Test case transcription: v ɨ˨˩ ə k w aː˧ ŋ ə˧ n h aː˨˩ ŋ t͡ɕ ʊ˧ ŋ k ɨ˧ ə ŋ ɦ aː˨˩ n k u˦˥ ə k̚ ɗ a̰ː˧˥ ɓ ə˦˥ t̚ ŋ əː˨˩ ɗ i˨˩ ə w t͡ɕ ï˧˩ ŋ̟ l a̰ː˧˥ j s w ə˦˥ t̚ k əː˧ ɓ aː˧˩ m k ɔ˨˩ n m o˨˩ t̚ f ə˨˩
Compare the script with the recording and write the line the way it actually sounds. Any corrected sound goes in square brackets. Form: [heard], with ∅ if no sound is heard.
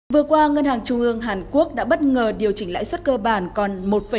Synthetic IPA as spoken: v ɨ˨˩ ə k w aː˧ ŋ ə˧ n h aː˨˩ ŋ t͡ɕ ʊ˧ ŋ [ʔ] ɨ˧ ə ŋ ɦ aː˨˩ n k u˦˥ ə k̚ ɗ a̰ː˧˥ ɓ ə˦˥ t̚ ŋ əː˨˩ ɗ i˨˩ ə w t͡ɕ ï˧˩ ŋ̟ l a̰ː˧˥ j s w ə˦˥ t̚ k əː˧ ɓ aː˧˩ [n] k ɔ˨˩ n m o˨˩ t̚ f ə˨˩

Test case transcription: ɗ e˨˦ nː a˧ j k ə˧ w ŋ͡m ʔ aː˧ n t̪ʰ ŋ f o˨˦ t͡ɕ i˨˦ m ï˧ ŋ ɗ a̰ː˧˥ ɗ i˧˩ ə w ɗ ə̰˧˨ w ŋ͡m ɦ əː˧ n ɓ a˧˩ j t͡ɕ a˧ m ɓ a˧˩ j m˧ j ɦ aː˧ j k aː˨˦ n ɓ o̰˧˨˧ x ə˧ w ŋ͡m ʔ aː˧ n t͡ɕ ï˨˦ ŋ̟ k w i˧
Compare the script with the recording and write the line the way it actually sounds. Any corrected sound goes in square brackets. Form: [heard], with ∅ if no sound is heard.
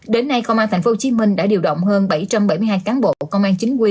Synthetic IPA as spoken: ɗ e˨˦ nː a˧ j k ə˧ w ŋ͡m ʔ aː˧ n t̪ʰ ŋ f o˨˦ t͡ɕ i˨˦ m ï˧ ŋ ɗ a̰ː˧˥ ɗ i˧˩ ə w ɗ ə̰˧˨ w ŋ͡m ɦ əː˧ n ɓ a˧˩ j t͡ɕ a˧ m ɓ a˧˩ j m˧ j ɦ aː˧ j k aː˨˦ n ɓ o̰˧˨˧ [k] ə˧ w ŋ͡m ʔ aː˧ n t͡ɕ ï˨˦ ŋ̟ k w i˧

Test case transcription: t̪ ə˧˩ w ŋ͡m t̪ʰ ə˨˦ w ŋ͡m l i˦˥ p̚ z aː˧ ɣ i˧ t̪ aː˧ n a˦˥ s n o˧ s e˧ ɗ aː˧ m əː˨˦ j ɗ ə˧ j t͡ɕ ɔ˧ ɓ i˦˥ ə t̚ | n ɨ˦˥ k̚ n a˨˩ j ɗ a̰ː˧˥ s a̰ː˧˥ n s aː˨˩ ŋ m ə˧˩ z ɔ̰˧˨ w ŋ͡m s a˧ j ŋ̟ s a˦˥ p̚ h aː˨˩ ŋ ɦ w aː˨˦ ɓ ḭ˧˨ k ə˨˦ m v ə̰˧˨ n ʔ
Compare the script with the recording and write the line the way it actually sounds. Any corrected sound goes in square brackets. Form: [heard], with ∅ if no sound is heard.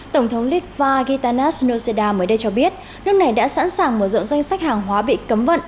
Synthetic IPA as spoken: t̪ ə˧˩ w ŋ͡m t̪ʰ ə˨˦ w ŋ͡m l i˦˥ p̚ [v] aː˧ ɣ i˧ t̪ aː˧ n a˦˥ s n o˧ s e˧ ɗ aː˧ m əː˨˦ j ɗ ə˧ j t͡ɕ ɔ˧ ɓ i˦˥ ə t̚ | n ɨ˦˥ k̚ n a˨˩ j ɗ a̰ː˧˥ s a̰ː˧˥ n s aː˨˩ ŋ m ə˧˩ z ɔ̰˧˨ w ŋ͡m [z] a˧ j ŋ̟ s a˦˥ [k̚] h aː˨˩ ŋ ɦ w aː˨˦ ɓ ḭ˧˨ k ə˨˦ m v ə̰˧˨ n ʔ

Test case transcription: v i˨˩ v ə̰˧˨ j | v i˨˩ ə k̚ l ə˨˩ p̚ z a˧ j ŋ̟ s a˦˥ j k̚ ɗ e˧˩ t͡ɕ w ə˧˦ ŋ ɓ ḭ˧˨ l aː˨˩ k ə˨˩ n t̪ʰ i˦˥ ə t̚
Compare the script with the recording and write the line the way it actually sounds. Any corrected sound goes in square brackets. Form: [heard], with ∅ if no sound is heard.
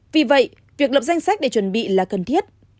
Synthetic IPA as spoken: v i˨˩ v ə̰˧˨ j | v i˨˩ ə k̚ l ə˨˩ p̚ z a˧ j ŋ̟ s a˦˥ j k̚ ɗ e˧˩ t͡ɕ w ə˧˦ [n] ɓ ḭ˧˨ l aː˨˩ k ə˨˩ n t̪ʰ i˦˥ ə t̚

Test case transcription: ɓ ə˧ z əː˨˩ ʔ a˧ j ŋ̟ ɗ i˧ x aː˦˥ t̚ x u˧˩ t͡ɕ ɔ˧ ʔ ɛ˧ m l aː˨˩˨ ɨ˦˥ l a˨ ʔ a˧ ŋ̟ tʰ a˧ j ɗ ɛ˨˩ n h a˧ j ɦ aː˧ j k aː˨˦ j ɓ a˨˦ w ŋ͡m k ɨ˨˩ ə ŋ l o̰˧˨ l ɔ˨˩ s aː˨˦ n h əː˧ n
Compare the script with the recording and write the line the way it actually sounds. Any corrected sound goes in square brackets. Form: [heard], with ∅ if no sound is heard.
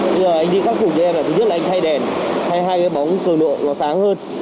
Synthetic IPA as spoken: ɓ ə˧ z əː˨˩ ʔ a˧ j ŋ̟ ɗ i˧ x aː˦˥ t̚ [f] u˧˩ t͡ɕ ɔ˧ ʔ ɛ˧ m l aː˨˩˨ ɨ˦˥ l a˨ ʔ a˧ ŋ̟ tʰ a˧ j ɗ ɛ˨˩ n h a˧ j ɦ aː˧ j k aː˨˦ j ɓ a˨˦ w ŋ͡m k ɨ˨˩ ə ŋ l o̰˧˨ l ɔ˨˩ s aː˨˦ [ŋ] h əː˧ n

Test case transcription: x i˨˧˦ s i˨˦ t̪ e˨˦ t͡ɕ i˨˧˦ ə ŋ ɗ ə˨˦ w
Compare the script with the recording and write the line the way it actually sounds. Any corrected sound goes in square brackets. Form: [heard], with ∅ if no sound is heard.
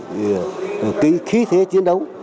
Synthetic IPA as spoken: [k] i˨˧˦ [x] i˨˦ [t̪ʰ] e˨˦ t͡ɕ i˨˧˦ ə [n] ɗ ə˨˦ w

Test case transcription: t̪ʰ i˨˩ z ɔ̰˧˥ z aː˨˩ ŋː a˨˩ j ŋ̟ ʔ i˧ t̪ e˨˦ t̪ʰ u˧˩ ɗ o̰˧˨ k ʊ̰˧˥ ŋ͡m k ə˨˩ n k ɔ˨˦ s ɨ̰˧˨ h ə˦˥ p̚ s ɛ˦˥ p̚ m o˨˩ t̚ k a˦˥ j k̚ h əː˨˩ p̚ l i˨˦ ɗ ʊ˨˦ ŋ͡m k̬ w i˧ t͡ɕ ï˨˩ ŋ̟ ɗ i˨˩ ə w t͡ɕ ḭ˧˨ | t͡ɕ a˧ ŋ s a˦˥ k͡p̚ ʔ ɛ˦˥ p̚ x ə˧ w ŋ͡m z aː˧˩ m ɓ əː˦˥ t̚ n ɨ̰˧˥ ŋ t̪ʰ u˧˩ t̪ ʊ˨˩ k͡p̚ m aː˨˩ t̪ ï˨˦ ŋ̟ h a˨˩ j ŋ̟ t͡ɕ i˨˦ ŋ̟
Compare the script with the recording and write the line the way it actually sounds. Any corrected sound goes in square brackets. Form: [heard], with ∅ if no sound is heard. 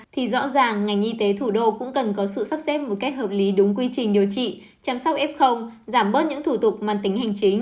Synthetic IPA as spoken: t̪ʰ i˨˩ z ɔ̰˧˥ z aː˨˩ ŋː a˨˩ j ŋ̟ ʔ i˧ t̪ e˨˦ t̪ʰ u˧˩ ɗ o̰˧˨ k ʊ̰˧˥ ŋ͡m k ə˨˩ n k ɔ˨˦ s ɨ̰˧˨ [s] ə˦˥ p̚ s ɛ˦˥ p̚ m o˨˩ t̚ k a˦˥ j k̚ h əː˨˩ p̚ l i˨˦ ɗ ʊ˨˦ ŋ͡m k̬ w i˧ t͡ɕ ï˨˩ ŋ̟ ɗ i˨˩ ə w t͡ɕ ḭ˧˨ | t͡ɕ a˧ [m] s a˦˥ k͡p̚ ʔ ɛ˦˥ p̚ x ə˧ w ŋ͡m z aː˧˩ m ɓ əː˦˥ t̚ [ɲ] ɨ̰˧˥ ŋ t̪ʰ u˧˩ t̪ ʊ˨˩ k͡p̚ m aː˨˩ t̪ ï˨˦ ŋ̟ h a˨˩ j ŋ̟ t͡ɕ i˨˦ ŋ̟

